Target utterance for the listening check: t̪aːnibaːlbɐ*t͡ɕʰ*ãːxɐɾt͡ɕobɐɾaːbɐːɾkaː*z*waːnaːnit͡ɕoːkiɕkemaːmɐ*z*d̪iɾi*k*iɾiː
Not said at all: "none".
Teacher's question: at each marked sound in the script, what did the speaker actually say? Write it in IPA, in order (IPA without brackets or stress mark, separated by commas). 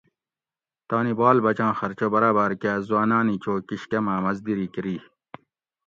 t͡ɕ, z, z, k